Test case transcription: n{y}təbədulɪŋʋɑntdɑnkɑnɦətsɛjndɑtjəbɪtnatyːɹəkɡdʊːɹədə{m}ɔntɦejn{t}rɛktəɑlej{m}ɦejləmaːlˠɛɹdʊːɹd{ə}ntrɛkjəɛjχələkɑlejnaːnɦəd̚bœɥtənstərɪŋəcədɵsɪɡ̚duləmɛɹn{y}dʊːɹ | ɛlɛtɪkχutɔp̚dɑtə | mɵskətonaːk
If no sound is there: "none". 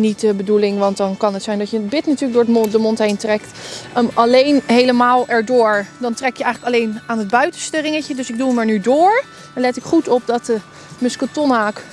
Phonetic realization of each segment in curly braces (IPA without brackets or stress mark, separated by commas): i, m, t, n, ɑ, y